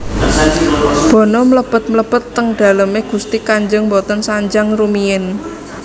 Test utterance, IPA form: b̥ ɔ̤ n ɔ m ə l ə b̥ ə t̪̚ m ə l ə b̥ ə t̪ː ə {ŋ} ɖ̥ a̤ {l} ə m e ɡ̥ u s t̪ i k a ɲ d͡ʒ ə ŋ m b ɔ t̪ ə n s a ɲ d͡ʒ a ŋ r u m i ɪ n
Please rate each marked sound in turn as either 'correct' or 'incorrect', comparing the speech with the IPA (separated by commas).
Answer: correct, correct